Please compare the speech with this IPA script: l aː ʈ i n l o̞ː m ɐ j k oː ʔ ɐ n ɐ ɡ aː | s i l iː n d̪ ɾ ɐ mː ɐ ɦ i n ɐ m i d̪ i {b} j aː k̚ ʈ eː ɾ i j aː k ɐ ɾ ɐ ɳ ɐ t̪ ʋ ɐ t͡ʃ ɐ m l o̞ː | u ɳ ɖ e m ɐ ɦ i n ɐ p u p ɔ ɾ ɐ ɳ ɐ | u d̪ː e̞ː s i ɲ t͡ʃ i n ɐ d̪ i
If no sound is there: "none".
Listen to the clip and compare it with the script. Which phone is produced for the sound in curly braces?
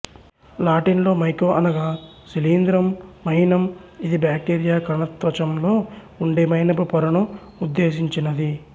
b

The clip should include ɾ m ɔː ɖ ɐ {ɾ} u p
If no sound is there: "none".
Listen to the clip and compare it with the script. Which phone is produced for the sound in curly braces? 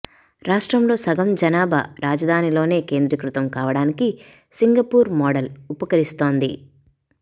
l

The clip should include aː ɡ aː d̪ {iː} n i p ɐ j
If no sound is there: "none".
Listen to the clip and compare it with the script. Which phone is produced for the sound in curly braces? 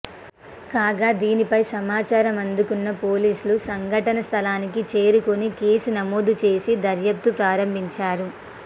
iː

